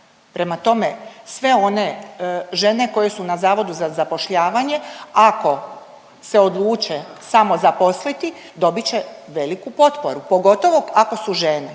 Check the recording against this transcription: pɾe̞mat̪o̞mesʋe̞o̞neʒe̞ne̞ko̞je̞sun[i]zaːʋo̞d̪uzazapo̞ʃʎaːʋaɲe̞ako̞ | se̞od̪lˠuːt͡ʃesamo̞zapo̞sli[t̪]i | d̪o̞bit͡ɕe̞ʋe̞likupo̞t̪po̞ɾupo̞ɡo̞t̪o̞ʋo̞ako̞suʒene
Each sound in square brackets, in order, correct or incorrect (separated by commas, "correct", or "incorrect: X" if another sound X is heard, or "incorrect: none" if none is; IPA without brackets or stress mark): incorrect: a, correct